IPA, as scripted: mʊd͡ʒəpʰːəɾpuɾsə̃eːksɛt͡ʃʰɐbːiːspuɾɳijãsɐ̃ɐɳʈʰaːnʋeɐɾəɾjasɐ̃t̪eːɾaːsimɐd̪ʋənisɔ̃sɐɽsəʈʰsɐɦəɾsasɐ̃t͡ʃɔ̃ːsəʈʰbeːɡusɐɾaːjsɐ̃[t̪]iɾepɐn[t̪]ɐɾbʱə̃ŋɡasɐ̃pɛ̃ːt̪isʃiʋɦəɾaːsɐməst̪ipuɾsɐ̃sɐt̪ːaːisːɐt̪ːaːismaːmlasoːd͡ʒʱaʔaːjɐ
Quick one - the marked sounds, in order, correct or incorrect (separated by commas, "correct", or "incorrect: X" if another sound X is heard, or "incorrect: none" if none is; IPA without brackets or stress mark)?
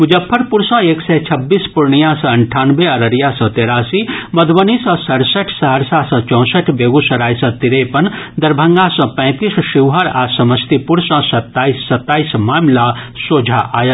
correct, incorrect: d̪